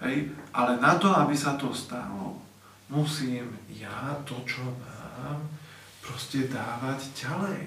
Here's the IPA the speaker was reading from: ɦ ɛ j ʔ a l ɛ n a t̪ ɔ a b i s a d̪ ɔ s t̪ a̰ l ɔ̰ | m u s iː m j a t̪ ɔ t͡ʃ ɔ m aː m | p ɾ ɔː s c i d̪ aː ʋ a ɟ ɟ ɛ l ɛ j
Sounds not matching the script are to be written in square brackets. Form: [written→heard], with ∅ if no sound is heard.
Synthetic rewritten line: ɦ ɛ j ʔ a l ɛ n a t̪ ɔ a b i s a [d̪→t̪] ɔ s t̪ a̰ l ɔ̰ | m u s iː m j a t̪ ɔ t͡ʃ ɔ m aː m | p ɾ [ɔː→ɔ] s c [i→ɛ] d̪ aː ʋ a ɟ ɟ [ɛ→a] l ɛ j